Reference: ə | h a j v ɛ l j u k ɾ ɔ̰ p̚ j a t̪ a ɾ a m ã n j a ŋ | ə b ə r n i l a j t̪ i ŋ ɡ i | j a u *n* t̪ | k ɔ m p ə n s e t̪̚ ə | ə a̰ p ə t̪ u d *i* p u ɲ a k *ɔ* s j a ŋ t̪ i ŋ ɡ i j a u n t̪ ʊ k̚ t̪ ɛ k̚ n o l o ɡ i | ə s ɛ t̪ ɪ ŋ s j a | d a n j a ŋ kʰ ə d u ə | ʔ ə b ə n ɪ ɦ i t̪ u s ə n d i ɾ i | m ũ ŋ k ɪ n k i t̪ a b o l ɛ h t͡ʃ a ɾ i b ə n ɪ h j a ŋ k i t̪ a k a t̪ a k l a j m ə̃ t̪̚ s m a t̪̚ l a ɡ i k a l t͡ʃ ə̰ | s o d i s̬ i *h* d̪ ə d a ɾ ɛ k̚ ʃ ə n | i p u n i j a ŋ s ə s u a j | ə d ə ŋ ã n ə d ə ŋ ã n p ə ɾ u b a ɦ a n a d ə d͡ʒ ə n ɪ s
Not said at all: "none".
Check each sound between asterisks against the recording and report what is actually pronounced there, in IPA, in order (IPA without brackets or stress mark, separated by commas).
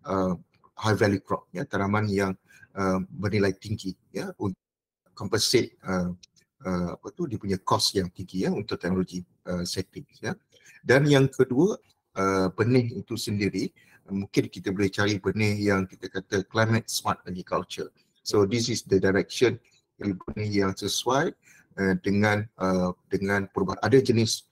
n, i, ɔ, s